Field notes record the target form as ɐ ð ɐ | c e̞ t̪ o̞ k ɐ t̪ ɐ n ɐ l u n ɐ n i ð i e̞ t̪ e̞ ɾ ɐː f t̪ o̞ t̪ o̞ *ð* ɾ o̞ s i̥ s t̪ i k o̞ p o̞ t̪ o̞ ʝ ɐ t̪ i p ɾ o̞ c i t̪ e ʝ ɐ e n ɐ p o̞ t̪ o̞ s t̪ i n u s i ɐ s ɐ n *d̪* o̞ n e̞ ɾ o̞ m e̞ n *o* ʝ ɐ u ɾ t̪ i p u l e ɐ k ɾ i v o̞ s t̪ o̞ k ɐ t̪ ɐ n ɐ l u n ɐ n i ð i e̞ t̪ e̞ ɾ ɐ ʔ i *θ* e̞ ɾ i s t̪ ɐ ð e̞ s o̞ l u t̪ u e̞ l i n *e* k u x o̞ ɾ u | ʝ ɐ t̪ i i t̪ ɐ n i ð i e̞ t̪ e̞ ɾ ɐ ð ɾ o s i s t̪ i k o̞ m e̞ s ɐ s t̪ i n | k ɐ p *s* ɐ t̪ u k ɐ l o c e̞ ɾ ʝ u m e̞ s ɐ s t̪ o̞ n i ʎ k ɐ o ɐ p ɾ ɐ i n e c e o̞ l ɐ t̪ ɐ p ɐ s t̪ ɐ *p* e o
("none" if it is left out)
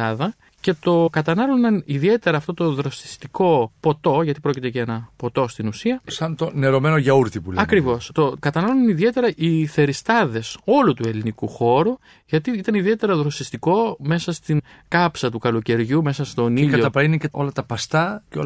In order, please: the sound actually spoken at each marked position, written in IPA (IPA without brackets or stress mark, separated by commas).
ð, t̪, o, θ, i, s, c